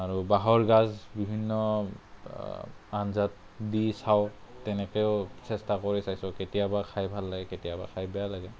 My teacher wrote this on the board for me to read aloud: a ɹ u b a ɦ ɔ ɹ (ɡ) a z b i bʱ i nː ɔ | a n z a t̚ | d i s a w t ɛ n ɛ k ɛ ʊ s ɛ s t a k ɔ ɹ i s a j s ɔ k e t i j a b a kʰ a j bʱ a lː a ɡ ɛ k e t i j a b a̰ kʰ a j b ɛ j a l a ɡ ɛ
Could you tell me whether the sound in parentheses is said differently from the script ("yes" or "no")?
no